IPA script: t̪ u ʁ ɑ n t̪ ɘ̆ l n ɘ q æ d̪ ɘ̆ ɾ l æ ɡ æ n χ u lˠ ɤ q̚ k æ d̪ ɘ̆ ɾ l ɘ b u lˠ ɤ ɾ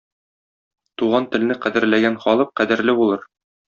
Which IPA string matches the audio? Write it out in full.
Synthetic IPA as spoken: t̪ u ʁ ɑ n t̪ ɘ̆ l n ɘ q æ d̪ ɘ̆ ɾ l æ ɡ æ n χ ɒ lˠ ɤ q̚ q æ d̪ ɘ̆ ɾ l ɘ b u lˠ ɤ ɾ